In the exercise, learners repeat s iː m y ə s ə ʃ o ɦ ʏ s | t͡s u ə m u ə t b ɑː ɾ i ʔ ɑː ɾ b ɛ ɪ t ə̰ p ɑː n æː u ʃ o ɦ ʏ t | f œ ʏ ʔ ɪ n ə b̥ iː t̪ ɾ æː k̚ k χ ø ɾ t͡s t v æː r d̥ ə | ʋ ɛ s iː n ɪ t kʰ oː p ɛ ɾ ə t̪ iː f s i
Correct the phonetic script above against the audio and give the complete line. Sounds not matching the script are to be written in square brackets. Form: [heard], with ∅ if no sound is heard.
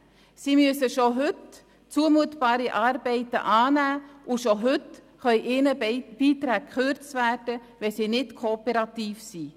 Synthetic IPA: s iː m y ə s ə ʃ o ɦ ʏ [t] | t͡s u ə m u ə t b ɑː ɾ i ʔ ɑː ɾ b ɛ ɪ t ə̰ [ʔ] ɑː n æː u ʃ o ɦ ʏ t | [χ] œ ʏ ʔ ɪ n ə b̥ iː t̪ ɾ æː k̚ k χ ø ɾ t͡s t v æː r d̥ ə | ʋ ɛ s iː n ɪ t kʰ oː p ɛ ɾ [ɑ] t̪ iː f s i